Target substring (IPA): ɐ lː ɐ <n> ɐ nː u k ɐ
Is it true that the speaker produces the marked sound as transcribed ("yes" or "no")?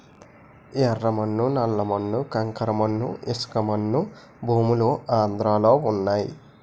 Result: no